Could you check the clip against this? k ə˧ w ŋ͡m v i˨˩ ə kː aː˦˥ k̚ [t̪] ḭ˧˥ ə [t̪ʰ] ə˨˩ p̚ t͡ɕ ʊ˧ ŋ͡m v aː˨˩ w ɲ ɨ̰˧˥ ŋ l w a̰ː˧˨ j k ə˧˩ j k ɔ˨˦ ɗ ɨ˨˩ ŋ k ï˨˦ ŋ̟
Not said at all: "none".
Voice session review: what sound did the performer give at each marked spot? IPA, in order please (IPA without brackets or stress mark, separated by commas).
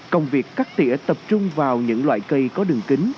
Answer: t̪, t̪